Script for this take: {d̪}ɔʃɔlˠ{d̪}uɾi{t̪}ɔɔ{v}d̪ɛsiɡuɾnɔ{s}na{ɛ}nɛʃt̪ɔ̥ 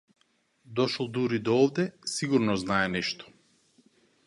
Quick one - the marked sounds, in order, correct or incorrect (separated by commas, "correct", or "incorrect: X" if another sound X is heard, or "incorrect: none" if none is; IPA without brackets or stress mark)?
correct, correct, incorrect: d̪, correct, incorrect: z, correct